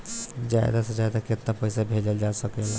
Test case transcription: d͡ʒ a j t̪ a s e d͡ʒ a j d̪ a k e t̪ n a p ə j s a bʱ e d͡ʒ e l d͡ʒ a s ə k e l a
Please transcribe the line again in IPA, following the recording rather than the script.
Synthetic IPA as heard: d͡ʒ a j d̪ a s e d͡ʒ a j d̪ a k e t̪ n a p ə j s a bʱ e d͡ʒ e l d͡ʒ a s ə k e l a

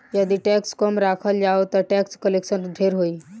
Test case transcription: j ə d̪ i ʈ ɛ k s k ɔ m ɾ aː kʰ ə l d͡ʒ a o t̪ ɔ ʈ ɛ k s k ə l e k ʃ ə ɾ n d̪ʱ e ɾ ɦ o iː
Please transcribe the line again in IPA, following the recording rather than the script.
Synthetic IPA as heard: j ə d̪ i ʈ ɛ k s k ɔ m ɾ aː kʰ ə l d͡ʒ a o t̪ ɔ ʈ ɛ k s k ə l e k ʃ ə n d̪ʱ e ɾ ɦ o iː

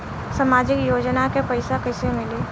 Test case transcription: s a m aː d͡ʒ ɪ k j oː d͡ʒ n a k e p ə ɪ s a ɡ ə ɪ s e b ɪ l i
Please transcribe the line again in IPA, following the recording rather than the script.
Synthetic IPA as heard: s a m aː d͡ʒ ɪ k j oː d͡ʒ n a k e p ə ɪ s a k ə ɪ s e m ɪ l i

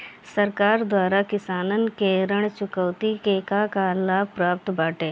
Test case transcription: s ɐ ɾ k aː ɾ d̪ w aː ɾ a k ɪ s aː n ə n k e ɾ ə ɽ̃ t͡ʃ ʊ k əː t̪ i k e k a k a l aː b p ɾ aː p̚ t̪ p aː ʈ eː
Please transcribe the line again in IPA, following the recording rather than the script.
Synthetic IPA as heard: s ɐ ɾ k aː ɾ d̪ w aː ɾ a k ɪ s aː n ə n k e ɾ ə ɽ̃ t͡ʃ ʊ k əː t̪ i k e k a k a l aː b p ɾ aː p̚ t̪ b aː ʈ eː

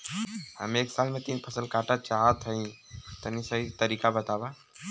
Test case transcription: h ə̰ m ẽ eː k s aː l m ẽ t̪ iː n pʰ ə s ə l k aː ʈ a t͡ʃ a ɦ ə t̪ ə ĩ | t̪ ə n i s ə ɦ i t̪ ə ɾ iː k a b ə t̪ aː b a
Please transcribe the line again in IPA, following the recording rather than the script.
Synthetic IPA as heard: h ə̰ m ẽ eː k s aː l m ẽ t̪ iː n pʰ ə s ə l k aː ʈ a t͡ʃ a ɦ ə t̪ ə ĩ | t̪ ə n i s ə ɦ i t̪ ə ɾ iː k a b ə t̪ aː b a

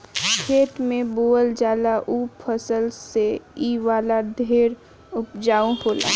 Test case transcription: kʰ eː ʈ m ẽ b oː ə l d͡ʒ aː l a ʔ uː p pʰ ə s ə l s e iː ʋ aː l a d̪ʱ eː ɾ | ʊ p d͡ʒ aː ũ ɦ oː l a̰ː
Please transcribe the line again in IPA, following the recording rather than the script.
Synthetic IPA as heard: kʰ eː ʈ m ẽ b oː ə l d͡ʒ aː l a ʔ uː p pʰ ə s ə l s e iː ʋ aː l a d̪ʱ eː ɾ | ʊ p d͡ʒ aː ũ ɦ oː l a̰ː

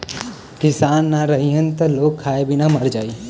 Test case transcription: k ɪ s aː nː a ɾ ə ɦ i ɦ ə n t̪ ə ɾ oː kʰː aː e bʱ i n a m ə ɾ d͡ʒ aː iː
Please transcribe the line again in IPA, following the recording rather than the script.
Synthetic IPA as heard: k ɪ s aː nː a ɾ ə ɦ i ɦ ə n t̪ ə l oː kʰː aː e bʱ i n a m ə ɾ d͡ʒ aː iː

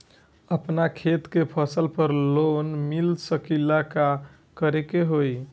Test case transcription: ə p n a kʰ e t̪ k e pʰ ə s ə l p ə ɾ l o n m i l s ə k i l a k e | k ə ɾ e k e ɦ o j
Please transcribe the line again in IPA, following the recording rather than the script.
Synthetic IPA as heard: ə p n a kʰ e t̪ k e pʰ ə s ə l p ə ɾ l o n m i l s ə k i l a k a | k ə ɾ e k e ɦ o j

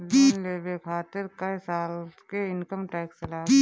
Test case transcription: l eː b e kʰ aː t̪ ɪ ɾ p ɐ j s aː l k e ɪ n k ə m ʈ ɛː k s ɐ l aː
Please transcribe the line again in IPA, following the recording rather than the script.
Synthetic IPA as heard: l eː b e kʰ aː t̪ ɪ ɾ k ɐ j s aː l k e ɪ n k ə m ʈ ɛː k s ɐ l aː

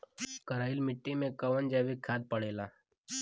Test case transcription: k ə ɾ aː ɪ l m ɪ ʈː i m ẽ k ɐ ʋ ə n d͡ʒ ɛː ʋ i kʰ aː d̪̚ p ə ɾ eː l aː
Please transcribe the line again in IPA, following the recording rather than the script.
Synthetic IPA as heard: k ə ɾ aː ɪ l m ɪ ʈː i m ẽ k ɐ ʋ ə n d͡ʒ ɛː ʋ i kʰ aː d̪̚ p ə ɽ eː l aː

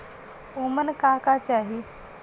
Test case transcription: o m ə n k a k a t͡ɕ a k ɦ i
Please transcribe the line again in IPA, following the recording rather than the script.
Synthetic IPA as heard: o m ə n k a k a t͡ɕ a ɦ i

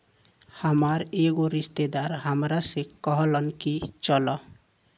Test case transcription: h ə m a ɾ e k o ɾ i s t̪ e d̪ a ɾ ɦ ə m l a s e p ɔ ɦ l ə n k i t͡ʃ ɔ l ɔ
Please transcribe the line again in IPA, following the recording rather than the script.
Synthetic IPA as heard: h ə m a ɾ e ɡ o ɾ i s t̪ e d̪ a ɾ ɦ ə m ɾ a s e k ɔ ɦ l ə n k i t͡ʃ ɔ l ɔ

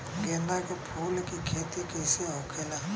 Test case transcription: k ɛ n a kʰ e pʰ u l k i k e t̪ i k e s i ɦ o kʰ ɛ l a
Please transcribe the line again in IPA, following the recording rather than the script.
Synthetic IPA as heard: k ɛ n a k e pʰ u l k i kʰ e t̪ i k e s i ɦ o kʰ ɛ l a

